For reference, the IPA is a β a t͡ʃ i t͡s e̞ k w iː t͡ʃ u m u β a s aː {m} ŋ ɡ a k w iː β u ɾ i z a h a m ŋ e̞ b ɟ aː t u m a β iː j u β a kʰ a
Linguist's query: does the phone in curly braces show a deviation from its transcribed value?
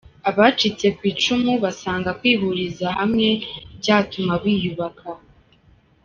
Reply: yes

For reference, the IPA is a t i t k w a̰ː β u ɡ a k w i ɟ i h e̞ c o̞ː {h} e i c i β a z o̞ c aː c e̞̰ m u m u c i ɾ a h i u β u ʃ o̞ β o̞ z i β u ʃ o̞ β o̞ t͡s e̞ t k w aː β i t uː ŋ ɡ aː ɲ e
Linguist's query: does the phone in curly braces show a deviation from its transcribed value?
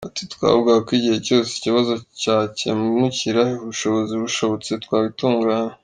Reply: yes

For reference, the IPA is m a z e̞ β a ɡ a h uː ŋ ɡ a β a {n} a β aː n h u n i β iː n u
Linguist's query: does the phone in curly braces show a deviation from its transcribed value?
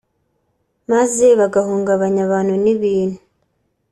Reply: yes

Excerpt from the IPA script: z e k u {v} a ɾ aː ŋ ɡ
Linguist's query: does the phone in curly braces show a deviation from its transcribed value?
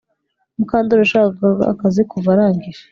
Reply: no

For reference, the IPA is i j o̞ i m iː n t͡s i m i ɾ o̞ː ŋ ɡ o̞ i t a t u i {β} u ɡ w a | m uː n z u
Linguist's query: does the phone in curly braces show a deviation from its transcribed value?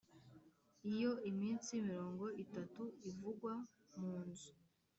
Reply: yes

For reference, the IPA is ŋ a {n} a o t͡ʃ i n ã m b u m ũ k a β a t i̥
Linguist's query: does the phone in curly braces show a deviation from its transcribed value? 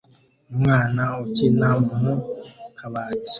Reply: no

